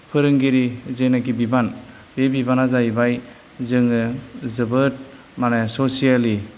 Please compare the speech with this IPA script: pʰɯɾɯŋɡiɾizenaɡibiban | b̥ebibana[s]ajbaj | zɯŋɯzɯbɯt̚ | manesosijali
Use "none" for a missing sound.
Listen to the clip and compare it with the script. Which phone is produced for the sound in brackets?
z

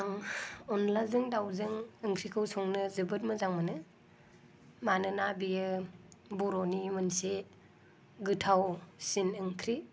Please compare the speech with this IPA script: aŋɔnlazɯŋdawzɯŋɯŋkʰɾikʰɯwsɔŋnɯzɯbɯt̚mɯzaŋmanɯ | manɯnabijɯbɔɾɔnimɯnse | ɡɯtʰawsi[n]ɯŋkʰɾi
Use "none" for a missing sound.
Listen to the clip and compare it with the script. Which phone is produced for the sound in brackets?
n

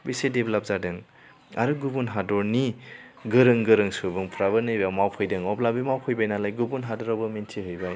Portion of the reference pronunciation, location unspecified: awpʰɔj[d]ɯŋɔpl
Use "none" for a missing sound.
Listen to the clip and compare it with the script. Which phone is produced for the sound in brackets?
d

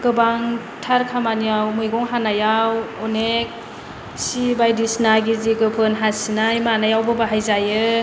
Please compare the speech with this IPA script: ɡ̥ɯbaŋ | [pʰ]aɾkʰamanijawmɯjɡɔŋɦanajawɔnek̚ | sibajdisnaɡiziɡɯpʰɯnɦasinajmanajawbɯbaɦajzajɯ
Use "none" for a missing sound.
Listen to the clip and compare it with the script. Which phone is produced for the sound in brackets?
tʰ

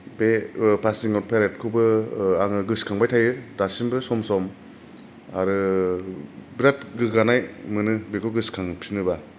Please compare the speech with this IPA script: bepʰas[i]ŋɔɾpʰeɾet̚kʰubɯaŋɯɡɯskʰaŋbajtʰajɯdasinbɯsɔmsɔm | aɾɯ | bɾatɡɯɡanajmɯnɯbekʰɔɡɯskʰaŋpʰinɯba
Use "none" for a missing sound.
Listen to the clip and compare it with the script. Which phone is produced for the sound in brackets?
i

